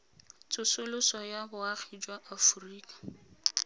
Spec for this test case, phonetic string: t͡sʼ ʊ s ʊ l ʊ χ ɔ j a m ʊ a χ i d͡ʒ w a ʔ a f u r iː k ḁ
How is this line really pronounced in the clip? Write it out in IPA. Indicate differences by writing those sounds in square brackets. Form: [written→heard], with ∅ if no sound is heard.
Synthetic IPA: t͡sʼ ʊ s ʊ l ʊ [χ→s] ɔ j a [m→b] ʊ a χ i d͡ʒ w a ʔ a f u r iː k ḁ